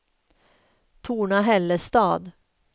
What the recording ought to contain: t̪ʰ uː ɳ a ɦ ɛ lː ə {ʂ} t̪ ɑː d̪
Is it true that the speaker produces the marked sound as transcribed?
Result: no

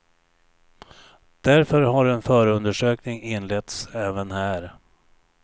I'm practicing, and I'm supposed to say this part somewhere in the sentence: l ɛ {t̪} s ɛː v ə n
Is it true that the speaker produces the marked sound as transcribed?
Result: yes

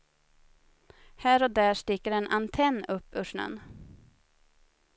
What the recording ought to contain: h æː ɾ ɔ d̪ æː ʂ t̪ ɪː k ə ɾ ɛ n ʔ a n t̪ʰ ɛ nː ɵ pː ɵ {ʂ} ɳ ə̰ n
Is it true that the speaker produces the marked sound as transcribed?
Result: yes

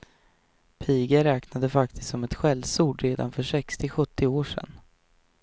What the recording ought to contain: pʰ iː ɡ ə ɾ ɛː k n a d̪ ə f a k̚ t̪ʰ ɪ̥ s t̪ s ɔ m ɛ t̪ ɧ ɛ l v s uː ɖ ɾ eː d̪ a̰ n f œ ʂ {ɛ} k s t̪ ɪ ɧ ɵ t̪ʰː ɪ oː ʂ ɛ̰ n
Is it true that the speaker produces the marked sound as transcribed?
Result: yes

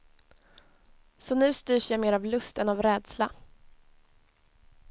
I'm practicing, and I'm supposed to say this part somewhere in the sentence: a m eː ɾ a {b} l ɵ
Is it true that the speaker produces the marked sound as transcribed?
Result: no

